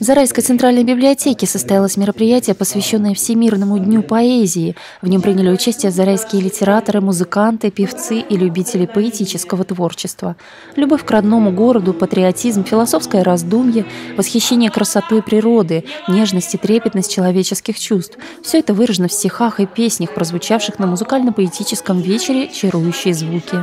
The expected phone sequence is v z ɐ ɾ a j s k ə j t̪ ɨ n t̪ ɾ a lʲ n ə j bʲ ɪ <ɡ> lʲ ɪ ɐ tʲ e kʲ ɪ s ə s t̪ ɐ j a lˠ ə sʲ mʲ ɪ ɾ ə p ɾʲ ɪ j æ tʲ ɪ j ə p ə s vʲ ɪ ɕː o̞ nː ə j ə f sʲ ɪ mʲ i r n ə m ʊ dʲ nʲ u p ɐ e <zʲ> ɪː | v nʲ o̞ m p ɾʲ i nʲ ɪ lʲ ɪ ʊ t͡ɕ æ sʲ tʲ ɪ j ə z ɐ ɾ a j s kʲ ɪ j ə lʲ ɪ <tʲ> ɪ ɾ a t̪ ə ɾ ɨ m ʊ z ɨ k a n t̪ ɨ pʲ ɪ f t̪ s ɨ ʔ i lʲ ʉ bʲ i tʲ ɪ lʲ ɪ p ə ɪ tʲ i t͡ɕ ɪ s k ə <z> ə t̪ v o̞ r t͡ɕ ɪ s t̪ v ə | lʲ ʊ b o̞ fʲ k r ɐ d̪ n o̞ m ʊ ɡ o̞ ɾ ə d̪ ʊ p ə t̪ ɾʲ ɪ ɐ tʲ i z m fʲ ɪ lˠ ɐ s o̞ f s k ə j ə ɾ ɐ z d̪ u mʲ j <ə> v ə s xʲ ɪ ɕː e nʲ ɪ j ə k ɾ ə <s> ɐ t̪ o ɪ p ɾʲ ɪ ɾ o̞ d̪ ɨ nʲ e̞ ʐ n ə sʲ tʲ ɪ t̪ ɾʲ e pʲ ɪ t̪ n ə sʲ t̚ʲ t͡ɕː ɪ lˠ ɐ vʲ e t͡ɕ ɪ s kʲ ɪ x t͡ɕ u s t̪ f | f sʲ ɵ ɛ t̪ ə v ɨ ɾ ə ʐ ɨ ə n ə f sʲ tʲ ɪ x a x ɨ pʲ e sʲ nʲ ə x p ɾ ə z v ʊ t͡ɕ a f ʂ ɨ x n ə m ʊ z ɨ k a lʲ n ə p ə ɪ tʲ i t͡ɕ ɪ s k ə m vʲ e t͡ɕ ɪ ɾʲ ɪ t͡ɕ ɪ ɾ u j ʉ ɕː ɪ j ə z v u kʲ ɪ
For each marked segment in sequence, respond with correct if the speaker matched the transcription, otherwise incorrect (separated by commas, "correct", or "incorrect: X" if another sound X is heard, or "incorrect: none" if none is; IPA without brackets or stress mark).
incorrect: b, correct, correct, incorrect: v, correct, correct